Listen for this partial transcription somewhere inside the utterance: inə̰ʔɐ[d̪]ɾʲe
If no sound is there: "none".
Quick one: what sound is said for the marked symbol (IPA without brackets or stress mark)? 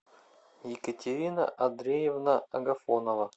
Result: d̪